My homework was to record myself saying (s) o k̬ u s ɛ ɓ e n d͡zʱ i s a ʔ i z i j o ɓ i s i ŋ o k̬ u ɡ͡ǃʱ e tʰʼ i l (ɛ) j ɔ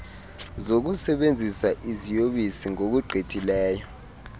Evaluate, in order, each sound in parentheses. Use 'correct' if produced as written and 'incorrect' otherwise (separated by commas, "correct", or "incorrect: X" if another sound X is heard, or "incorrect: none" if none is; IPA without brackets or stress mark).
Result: incorrect: z, incorrect: ɛː